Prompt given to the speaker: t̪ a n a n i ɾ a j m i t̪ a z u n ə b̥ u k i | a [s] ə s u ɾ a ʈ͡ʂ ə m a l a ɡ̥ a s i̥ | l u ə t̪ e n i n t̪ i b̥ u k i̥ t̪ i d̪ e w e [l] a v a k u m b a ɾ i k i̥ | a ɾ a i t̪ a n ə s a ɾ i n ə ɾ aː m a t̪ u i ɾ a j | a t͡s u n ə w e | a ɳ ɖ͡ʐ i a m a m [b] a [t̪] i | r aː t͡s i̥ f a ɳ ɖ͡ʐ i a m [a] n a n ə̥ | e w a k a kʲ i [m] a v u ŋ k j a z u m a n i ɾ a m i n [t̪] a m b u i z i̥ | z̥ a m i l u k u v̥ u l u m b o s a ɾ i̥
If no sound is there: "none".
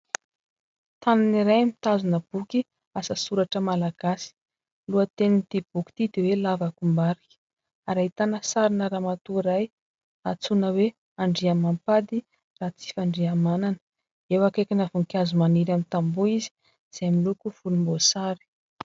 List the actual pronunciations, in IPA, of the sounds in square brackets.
s, l, p, d̪, a, n, t̪

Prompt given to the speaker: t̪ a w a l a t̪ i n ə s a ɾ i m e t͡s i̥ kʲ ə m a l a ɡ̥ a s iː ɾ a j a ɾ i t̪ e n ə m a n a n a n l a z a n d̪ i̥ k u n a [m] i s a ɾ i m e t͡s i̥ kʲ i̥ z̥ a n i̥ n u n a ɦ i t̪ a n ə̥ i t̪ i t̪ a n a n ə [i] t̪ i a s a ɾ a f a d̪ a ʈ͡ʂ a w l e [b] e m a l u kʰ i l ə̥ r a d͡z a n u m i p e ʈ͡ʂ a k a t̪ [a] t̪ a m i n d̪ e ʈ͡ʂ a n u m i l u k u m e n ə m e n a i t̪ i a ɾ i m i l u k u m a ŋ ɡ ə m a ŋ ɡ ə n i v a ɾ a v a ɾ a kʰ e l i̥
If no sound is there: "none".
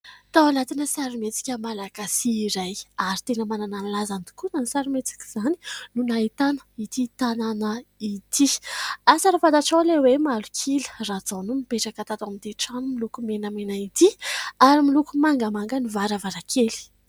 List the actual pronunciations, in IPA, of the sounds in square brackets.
n, i, w, a

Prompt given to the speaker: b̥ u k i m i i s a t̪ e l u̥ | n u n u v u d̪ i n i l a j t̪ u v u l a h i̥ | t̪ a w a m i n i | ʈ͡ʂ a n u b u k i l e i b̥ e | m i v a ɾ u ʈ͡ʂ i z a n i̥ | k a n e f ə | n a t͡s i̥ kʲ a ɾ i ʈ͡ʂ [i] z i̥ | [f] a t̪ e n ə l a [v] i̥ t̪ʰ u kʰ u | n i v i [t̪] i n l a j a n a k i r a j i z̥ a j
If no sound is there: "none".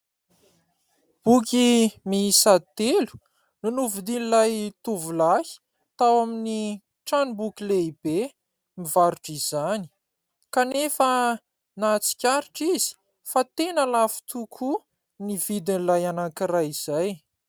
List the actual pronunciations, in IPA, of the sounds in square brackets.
i, f, f, d̪

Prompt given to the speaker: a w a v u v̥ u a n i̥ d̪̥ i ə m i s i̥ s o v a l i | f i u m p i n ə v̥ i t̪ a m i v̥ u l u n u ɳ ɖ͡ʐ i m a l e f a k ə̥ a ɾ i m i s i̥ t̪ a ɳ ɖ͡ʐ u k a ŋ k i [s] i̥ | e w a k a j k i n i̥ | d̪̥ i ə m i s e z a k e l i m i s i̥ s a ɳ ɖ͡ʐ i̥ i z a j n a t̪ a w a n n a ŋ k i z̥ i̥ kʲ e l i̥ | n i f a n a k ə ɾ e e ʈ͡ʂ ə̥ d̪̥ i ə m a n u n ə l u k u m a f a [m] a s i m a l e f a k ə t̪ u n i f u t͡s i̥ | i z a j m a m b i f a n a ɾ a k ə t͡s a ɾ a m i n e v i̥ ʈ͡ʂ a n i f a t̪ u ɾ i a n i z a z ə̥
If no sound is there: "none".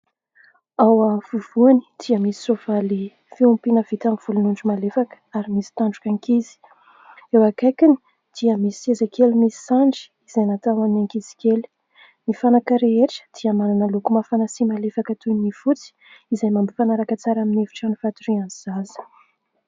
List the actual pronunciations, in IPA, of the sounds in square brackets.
z, n

